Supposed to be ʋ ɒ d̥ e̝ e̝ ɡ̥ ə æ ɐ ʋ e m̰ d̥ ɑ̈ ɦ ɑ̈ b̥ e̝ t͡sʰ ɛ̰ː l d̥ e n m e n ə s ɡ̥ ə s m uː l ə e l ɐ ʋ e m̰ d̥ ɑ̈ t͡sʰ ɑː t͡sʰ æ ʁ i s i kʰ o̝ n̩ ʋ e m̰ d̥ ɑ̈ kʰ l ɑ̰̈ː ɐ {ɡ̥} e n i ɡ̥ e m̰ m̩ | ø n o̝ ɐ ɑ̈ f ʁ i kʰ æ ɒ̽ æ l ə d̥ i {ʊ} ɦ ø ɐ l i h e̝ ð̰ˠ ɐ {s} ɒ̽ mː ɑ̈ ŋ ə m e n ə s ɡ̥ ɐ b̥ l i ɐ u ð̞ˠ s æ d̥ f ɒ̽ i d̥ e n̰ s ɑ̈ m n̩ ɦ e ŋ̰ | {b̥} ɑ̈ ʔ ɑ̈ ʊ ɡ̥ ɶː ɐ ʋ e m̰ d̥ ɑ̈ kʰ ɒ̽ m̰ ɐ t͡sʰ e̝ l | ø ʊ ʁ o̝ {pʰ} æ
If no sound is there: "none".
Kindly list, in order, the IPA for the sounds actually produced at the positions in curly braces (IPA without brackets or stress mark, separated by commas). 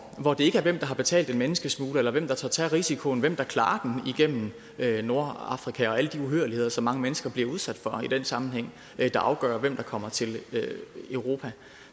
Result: d̥, u, s, d̥, pʰ